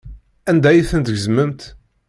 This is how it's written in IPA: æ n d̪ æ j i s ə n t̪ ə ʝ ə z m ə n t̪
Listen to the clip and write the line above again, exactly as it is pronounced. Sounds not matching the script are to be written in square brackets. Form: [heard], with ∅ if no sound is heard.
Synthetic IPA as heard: æ n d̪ æ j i [θ] ə n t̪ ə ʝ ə z m ə [m] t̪